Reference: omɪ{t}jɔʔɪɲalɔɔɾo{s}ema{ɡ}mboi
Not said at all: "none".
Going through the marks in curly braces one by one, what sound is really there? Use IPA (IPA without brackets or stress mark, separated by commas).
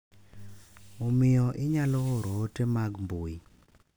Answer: none, t, ɡ